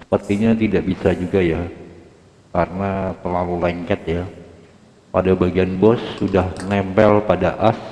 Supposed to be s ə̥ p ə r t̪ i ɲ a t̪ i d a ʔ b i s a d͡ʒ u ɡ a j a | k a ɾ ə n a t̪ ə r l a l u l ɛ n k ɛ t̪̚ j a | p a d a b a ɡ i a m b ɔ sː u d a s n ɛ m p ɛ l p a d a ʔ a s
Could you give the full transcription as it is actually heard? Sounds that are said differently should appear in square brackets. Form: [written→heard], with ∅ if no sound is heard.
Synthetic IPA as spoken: s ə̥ p ə r t̪ i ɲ a t̪ i d a ʔ b i s a d͡ʒ u ɡ a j a | k a ɾ ə n a t̪ ə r l a l u l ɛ [n→ŋ] k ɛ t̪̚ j a | p a d a b a ɡ i a [m→n] b ɔ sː u d a [s→h] n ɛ m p ɛ l p a d a ʔ a s